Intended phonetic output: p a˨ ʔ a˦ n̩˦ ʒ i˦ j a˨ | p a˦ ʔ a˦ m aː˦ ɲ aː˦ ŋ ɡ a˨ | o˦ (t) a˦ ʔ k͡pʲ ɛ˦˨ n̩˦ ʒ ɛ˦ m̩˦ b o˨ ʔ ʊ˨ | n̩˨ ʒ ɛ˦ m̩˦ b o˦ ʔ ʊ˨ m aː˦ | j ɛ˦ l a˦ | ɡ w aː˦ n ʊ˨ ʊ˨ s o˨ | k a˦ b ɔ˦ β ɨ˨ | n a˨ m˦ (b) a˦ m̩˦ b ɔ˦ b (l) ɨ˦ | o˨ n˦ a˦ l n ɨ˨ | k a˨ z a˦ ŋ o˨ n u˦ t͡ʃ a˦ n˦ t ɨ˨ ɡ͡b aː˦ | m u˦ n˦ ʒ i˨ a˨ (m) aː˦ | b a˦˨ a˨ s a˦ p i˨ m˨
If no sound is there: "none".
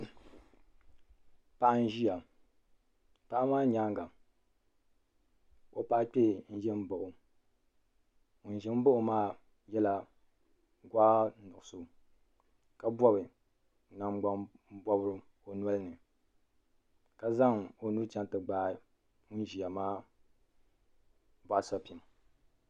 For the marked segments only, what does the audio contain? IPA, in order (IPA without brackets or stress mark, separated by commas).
p, ɡ͡b, ɾ, m